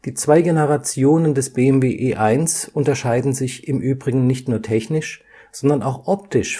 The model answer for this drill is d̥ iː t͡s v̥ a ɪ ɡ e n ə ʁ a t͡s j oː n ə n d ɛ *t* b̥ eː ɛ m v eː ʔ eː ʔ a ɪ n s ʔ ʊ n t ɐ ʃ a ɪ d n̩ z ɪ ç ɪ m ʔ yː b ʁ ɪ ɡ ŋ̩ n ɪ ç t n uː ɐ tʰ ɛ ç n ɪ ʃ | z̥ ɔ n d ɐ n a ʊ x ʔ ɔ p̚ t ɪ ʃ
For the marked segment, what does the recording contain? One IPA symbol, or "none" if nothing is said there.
s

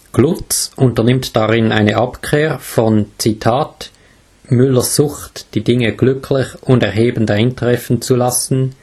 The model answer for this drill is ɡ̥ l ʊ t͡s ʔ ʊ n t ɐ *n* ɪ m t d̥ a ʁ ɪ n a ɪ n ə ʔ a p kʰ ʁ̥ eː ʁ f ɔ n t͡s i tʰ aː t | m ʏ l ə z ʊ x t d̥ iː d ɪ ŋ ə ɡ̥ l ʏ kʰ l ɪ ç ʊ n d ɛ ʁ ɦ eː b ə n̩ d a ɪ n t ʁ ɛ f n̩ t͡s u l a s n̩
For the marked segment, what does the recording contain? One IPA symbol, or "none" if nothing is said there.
n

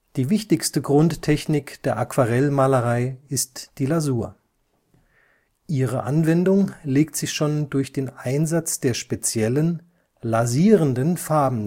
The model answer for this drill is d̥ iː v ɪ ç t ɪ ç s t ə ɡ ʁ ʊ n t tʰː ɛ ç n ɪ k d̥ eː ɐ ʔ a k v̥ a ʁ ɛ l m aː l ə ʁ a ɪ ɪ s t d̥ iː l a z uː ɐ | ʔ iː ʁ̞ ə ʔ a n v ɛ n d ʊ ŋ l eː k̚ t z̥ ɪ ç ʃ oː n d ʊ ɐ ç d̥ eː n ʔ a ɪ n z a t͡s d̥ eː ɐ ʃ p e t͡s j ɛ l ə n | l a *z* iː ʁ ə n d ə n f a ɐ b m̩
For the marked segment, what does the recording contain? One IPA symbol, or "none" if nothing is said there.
z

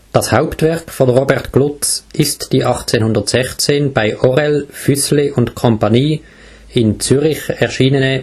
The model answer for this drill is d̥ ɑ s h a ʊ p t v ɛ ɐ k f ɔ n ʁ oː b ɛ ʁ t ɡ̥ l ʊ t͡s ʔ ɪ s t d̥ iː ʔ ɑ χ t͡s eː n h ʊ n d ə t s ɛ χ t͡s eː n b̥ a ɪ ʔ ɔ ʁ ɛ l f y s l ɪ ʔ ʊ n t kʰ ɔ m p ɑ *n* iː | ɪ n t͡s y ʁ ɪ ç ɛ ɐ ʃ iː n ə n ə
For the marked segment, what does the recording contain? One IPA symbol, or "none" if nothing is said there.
n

